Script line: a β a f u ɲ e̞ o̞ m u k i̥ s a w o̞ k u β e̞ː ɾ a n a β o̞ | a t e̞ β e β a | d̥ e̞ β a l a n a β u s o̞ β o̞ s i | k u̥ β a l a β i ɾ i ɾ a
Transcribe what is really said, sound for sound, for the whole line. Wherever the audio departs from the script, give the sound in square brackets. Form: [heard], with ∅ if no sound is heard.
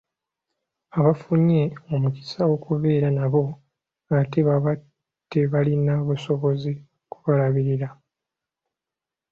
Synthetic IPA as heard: a β a f u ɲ e̞ o̞ m u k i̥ s a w o̞ k u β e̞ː ɾ a n a β o̞ | a t e̞ β [a] β a | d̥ e̞ β a l [i] n a β u s o̞ β o̞ [z] i | k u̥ β a l a β i ɾ i ɾ a